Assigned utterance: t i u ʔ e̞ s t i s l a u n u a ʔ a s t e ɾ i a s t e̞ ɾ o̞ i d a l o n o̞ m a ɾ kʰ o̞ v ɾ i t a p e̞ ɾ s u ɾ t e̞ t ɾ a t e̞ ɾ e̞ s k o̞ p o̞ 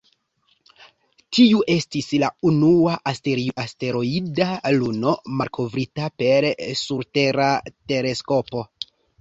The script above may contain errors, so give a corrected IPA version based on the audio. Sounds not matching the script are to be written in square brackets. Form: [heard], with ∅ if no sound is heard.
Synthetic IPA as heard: t i u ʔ e̞ s t i s l a u n u a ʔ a s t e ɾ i a s t e̞ ɾ o̞ i d a l [u] n o̞ m a ɾ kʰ o̞ v ɾ i t a p e̞ ɾ s u ɾ t e̞ [∅] ɾ a t e̞ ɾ e̞ s k o̞ p o̞